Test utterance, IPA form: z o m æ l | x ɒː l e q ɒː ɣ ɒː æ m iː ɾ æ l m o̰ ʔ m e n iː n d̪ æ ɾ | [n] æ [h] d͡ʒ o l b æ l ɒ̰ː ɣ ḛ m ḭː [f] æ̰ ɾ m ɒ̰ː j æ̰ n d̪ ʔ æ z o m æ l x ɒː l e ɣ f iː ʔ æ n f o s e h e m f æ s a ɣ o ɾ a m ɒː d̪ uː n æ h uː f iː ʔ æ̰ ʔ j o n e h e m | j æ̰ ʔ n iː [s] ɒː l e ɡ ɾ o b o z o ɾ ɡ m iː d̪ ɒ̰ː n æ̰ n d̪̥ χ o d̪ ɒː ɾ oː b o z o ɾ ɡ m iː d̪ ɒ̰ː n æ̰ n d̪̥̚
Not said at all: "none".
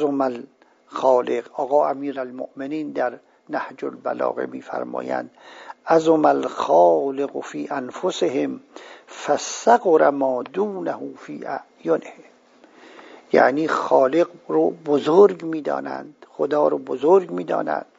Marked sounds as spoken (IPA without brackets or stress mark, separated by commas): n, h, f, x